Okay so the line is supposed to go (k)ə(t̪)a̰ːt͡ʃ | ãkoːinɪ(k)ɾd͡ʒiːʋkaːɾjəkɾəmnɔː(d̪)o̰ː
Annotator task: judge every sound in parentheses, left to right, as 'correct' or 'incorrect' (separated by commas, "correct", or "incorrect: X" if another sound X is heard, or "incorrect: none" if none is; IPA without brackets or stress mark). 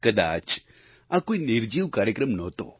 correct, incorrect: d̪, incorrect: none, incorrect: t̪